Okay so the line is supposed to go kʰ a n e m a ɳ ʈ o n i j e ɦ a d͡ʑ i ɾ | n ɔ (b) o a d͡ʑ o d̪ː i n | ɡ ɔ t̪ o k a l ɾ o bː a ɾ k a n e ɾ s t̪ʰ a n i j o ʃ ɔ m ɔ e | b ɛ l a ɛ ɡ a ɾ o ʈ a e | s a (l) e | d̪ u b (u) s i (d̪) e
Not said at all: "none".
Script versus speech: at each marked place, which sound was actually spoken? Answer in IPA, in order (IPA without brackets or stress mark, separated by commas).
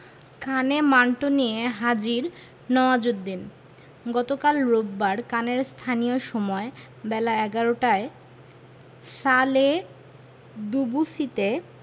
none, l, u, t̪